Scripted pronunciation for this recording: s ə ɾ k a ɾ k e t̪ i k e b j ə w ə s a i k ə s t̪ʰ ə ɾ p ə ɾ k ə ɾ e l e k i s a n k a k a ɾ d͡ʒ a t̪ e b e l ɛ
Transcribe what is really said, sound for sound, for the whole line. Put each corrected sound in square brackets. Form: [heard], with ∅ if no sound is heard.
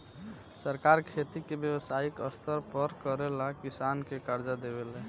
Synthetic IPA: s ə ɾ k a ɾ [kʰ] e t̪ i k e b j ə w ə s a i k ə s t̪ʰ ə ɾ p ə ɾ k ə ɾ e l [a] k i s a n k [e] k a ɾ d͡ʒ a [d̪] e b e l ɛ